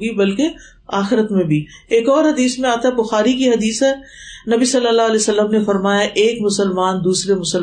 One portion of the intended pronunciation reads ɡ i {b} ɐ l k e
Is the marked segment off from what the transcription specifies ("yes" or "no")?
no